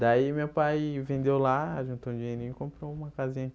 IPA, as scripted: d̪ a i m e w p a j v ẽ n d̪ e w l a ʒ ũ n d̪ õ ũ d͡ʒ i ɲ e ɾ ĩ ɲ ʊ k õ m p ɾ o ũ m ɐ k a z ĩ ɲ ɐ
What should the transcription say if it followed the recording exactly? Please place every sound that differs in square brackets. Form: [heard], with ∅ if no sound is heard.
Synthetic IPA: d̪ a i m e w p a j v ẽ n d̪ e w l a ʒ ũ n [t̪] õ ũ d͡ʒ i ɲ e ɾ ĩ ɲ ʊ k õ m p ɾ o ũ m ɐ k a z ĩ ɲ ɐ